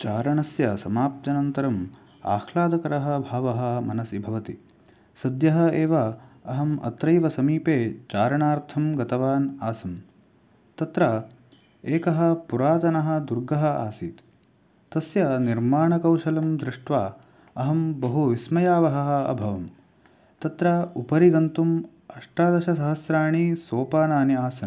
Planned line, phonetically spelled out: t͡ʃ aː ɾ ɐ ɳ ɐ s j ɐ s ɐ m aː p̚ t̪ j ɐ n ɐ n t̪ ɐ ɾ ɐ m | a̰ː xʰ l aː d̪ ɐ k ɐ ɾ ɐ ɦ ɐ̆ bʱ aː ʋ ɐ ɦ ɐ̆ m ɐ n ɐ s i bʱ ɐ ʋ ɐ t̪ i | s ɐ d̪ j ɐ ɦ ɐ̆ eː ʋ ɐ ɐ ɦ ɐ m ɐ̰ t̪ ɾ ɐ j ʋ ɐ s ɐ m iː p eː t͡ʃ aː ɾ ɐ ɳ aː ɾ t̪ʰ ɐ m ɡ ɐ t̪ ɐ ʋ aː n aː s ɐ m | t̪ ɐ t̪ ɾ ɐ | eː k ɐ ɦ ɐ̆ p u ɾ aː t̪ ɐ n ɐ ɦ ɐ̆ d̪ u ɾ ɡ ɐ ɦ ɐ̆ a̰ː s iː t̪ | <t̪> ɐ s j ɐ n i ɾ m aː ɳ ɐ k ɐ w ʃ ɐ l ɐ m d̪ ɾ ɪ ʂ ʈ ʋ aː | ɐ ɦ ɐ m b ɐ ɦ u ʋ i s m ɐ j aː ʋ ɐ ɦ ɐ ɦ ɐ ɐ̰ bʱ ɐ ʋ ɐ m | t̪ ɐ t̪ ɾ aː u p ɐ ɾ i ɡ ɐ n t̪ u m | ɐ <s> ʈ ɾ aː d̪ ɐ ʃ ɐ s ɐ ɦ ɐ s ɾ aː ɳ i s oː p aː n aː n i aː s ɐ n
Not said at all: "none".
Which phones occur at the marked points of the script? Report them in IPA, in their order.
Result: t̪, ʂ

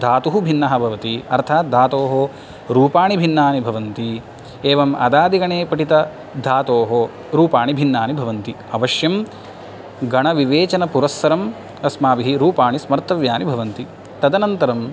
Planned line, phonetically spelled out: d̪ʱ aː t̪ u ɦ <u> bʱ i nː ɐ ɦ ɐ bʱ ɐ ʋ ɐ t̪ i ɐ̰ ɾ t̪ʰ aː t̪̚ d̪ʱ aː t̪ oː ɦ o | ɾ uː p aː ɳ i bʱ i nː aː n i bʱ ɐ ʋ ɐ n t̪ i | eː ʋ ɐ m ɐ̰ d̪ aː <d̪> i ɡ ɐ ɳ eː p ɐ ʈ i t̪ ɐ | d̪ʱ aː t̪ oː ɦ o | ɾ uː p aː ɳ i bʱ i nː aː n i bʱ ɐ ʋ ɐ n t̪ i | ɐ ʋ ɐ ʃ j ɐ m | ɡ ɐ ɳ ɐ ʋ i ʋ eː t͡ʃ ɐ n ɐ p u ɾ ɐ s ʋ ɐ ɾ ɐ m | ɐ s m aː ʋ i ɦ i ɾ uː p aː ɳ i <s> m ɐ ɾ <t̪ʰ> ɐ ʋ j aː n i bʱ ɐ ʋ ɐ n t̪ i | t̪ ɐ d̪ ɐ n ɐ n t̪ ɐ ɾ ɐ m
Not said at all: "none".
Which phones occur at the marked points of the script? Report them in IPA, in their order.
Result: u, d̪, s, t̪

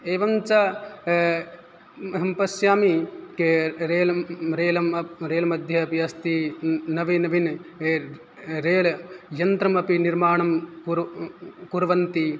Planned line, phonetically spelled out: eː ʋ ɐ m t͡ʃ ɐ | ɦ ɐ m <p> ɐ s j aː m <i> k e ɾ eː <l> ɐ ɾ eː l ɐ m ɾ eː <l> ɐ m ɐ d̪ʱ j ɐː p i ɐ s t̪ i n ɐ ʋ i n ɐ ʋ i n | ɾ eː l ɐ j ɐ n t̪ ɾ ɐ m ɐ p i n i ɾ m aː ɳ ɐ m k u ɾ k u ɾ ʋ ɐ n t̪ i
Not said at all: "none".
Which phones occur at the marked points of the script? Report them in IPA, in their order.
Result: p, i, l, l

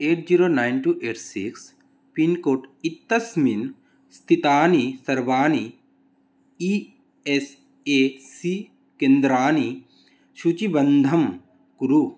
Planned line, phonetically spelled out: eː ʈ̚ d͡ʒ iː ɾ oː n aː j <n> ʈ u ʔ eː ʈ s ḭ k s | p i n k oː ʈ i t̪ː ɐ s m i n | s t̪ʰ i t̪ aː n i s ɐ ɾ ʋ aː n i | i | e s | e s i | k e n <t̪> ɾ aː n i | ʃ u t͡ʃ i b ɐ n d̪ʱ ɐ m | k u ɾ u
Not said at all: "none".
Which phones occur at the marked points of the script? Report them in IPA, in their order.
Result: n, d̪

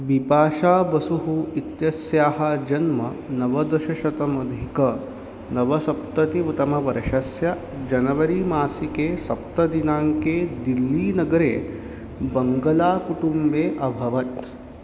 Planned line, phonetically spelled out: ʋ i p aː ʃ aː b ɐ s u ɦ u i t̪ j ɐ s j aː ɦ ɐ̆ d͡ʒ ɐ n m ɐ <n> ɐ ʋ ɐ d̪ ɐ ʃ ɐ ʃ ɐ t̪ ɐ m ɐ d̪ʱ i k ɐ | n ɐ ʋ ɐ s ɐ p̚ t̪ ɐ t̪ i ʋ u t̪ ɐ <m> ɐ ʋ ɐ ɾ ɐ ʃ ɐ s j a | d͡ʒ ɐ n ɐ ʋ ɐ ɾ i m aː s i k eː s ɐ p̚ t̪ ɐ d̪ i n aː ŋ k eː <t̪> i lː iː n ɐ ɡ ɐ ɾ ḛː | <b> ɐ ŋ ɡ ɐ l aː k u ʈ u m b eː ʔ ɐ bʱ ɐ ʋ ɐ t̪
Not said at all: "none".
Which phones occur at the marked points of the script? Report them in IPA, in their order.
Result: n, m, d̪, b

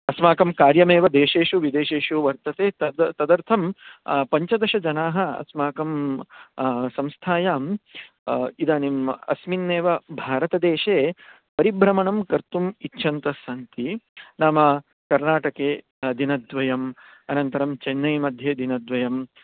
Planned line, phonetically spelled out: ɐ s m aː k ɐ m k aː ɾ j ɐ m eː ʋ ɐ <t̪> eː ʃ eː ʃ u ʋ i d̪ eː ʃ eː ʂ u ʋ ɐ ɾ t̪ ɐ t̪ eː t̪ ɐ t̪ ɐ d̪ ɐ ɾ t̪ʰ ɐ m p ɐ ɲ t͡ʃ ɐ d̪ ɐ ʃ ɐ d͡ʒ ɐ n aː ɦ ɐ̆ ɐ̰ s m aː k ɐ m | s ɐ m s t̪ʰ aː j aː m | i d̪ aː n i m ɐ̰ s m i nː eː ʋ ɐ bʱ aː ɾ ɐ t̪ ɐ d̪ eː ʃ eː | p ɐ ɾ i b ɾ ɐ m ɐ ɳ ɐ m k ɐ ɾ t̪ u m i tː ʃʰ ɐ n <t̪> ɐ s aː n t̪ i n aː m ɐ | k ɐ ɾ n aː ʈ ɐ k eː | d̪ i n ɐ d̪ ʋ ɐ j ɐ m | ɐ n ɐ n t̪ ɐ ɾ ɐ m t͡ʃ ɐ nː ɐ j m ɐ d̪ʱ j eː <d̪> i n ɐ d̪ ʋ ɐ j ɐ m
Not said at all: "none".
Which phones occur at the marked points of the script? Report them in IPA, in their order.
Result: d̪, t̪, d̪

